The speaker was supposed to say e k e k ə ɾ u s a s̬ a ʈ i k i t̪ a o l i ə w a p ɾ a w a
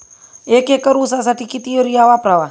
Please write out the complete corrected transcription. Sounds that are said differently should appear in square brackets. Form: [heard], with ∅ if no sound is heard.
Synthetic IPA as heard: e k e k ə ɾ u s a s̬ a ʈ i k i t̪ [i] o [ɾ] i [a] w a p ɾ a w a